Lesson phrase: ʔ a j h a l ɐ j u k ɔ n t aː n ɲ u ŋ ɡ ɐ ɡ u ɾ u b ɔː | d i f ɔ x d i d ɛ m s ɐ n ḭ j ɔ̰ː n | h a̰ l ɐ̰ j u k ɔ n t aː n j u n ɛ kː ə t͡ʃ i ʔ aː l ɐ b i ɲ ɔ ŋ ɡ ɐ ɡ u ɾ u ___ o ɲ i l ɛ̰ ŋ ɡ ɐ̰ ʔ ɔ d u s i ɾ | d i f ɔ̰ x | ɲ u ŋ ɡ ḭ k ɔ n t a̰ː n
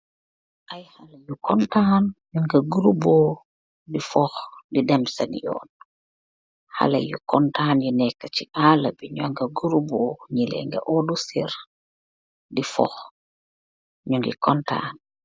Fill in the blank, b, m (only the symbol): b